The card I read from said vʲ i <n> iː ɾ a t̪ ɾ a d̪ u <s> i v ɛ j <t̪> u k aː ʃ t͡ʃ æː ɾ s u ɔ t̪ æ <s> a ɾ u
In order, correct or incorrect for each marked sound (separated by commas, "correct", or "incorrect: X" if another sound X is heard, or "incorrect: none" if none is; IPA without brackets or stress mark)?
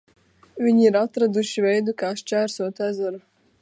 incorrect: ɲ, incorrect: ʃ, incorrect: d̪, incorrect: z